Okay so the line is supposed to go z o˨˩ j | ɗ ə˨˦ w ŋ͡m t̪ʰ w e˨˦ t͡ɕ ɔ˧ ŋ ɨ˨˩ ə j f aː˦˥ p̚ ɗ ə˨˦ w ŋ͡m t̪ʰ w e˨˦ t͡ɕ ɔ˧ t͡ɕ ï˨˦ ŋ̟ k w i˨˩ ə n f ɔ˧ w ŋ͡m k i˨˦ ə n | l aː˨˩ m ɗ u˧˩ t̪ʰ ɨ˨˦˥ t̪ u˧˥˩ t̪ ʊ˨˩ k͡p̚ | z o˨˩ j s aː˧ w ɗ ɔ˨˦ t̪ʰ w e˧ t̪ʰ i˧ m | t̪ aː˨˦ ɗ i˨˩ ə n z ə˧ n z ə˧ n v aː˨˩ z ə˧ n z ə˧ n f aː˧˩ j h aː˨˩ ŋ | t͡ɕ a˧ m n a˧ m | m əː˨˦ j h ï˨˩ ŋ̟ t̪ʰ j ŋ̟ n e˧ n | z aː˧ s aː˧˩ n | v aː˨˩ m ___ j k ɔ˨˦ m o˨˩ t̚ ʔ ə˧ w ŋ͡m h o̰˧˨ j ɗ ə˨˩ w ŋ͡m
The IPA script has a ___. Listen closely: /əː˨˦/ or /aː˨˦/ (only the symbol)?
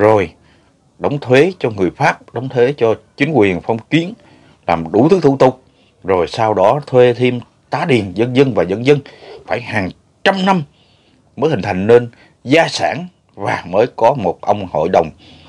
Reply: əː˨˦